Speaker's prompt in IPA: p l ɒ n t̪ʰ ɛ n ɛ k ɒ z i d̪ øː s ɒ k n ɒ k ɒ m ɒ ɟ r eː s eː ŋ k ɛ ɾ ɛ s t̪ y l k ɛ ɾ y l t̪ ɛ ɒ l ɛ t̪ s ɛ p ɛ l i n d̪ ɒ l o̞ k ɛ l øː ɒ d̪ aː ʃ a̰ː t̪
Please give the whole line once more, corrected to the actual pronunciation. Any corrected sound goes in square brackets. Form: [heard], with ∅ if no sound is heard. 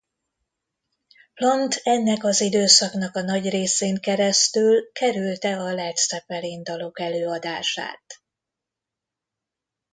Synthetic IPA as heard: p l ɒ n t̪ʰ ɛ [nː] ɛ k ɒ z i d̪ øː s ɒ k n ɒ k ɒ [n] ɒ ɟ r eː s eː ŋ k ɛ ɾ ɛ s t̪ y l k ɛ ɾ y l t̪ ɛ ɒ l ɛ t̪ s ɛ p ɛ l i n d̪ ɒ l o̞ k ɛ l øː ɒ d̪ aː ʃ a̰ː t̪